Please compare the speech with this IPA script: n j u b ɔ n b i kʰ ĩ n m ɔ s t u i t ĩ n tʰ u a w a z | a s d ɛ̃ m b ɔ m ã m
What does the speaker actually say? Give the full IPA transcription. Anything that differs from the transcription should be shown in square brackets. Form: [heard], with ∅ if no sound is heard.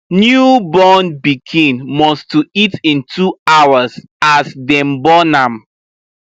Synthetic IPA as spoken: n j u b ɔ n b i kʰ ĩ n m ɔ s t u i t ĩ n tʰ u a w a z | a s d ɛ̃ m b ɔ [n] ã m